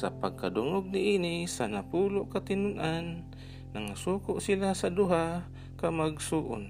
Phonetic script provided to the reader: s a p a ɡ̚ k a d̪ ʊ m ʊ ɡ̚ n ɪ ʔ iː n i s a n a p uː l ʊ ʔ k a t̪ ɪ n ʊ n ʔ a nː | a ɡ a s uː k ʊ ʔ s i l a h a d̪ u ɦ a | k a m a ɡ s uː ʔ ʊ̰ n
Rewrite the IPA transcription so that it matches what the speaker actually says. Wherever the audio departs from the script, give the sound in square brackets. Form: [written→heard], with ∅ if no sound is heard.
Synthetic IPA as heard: s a p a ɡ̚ k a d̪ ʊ [m→ŋ] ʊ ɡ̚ n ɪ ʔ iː n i s a n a p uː l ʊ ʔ k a t̪ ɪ n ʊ n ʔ a nː | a [ɡ→ŋ] a s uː k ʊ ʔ s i l a [h→s] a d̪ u ɦ a | k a m a ɡ s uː ʔ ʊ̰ n